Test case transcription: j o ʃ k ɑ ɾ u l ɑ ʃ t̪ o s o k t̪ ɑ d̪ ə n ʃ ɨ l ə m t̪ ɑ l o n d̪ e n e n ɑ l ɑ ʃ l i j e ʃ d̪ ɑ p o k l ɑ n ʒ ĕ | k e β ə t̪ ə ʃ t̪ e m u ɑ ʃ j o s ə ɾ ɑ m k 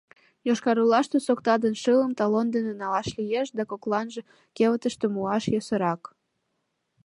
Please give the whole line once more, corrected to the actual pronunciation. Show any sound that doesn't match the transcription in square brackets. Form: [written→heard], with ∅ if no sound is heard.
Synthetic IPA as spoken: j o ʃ k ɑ ɾ u l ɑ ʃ t̪ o s o k t̪ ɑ d̪ ə n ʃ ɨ l ə m t̪ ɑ l o n d̪ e n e n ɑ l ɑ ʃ l i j e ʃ d̪ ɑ [p→k] o k l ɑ n ʒ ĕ | k e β ə t̪ ə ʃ t̪ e m u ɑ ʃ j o s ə ɾ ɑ [m→∅] k